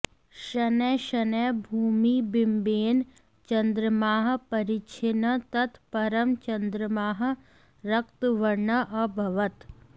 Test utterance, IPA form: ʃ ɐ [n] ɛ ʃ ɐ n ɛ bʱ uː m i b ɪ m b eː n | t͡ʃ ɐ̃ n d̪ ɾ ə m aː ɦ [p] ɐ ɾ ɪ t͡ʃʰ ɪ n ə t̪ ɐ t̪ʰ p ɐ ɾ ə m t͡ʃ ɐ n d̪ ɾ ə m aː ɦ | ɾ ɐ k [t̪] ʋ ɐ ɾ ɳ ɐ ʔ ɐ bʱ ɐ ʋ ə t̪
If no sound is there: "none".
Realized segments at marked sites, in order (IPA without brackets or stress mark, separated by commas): n, p, t̪